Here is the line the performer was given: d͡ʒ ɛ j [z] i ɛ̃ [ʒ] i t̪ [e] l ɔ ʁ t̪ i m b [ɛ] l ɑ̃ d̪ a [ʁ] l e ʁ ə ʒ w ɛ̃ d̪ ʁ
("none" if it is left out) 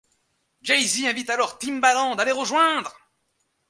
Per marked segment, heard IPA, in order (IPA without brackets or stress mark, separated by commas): z, v, a, a, none